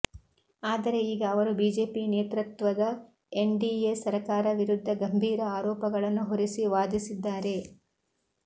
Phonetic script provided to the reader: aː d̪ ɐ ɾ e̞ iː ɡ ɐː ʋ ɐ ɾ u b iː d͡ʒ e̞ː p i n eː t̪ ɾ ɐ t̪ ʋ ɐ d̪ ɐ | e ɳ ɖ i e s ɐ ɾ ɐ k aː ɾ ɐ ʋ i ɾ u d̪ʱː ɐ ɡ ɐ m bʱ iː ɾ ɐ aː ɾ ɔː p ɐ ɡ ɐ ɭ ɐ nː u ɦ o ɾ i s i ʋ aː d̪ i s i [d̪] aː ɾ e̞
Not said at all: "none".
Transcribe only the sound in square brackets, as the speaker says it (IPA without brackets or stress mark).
d̪ː